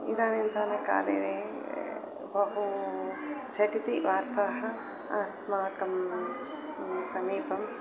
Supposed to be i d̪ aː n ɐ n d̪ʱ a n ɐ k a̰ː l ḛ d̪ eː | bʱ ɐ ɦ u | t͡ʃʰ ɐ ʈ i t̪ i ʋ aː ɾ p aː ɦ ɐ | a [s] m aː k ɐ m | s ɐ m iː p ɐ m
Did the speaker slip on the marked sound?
no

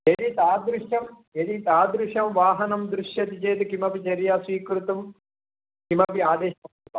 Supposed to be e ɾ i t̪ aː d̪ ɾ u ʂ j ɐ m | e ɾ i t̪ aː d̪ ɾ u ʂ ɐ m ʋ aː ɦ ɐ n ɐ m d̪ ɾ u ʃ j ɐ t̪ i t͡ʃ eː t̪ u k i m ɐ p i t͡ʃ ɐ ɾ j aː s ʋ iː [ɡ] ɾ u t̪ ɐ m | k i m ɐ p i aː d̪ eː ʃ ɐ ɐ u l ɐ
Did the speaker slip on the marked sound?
yes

